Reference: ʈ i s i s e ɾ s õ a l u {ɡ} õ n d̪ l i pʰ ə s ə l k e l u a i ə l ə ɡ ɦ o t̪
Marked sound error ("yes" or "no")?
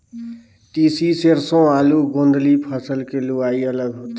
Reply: no